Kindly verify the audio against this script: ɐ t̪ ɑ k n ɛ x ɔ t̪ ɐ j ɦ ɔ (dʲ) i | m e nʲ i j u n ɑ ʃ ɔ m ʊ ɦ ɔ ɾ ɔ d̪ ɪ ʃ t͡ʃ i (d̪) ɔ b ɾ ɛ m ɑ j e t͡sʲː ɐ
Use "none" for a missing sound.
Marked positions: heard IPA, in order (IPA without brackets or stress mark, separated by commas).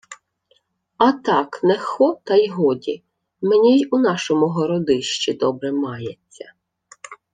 dʲ, d̪